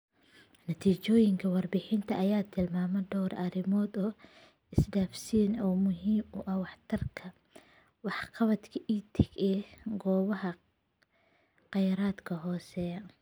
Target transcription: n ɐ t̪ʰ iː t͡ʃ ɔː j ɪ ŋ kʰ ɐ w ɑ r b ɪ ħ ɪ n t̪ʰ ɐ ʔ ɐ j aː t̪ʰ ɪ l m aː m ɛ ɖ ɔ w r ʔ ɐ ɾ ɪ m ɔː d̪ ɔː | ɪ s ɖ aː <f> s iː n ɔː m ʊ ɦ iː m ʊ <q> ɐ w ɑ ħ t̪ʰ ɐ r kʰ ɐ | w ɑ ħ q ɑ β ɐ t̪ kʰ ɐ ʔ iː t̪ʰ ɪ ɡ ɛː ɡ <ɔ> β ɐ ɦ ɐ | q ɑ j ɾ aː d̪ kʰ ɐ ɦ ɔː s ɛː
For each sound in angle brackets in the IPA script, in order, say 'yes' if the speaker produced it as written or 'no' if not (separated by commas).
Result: yes, no, no